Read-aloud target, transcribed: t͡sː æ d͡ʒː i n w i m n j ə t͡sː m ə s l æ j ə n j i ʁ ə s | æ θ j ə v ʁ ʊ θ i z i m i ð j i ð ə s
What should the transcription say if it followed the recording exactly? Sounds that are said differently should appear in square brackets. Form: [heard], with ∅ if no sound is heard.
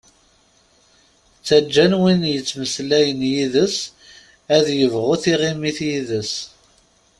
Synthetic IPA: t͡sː æ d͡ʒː [æ] n w i [∅] n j ə t͡sː m ə s l æ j ə n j i [ð] ə s | æ [ð] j ə v ʁ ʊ θ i [ʁ] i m i [θ] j i ð ə s